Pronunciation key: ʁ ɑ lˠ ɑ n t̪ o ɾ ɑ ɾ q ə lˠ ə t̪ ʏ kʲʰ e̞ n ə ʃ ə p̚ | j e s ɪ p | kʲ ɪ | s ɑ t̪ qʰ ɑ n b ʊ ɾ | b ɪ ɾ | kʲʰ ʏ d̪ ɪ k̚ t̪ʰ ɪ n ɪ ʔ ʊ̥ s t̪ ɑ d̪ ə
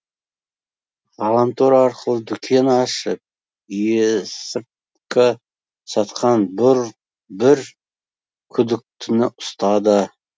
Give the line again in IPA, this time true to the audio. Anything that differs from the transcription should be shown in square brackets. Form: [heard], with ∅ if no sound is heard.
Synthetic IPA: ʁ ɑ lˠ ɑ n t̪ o ɾ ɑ ɾ q ə lˠ ə [d̪] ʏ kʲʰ e̞ n [ɑ] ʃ ə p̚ | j e s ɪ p | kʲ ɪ | s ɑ t̪ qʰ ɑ n b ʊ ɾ | b ɪ ɾ | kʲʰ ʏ d̪ ɪ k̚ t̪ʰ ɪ n ɪ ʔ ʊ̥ s t̪ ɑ d̪ ə